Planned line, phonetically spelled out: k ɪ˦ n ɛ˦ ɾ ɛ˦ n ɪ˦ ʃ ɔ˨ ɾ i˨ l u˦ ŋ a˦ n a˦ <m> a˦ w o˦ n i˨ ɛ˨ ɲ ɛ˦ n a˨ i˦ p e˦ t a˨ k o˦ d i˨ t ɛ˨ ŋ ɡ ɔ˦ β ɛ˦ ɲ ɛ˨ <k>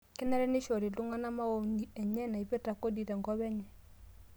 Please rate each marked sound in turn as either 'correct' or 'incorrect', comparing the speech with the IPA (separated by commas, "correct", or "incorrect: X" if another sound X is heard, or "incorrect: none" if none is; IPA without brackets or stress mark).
correct, incorrect: none